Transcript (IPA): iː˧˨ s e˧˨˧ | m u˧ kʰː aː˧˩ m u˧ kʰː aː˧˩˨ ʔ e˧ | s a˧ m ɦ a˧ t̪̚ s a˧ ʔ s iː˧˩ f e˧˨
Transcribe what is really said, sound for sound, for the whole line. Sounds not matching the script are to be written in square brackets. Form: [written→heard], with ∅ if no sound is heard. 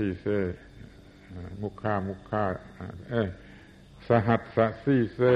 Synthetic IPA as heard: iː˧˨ s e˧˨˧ | m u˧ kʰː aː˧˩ m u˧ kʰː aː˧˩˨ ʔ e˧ | s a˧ [m→∅] ɦ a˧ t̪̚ s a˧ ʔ s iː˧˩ [f→s] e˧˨